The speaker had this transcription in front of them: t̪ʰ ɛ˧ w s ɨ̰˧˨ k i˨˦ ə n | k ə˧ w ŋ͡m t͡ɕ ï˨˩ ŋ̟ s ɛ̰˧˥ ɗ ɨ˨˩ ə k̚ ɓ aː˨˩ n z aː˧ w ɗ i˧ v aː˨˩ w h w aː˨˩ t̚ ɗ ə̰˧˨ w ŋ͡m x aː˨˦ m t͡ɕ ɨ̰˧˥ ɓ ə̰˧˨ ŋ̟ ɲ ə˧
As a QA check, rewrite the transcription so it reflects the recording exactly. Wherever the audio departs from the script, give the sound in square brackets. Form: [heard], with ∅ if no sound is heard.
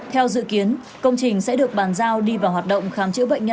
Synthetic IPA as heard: t̪ʰ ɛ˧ w [z] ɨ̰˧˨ k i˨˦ ə n | k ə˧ w ŋ͡m t͡ɕ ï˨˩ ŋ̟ s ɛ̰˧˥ ɗ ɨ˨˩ ə k̚ ɓ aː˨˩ n z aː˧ w ɗ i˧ v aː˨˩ w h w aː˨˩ t̚ ɗ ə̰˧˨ w ŋ͡m x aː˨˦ m t͡ɕ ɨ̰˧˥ ɓ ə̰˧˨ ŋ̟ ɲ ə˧